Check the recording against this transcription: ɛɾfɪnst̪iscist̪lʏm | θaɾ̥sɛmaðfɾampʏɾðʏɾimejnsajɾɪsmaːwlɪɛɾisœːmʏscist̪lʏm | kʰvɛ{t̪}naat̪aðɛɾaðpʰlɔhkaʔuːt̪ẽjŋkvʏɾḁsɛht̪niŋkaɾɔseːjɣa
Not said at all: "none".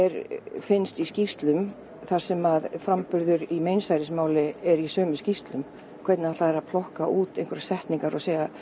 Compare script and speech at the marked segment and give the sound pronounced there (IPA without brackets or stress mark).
t̪